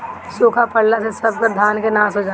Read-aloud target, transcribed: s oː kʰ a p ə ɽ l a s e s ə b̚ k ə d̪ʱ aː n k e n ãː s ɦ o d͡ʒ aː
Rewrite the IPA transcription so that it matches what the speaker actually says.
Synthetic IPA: s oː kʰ a p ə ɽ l a s e s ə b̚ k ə d̪ʱ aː n k e n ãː s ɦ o d͡ʒ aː